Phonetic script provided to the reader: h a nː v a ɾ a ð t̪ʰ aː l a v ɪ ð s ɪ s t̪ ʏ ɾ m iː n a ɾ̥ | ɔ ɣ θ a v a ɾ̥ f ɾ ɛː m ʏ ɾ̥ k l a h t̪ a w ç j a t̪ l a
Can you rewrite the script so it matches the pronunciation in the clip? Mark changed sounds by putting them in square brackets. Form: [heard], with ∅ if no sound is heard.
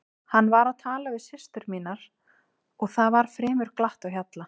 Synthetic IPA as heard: h a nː v a ɾ a ð t̪ʰ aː l a v ɪ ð s ɪ s t̪ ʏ ɾ m iː n a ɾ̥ | ɔ ɣ θ a v a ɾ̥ f ɾ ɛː m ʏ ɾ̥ k l a h t̪ a w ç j a t̪ l a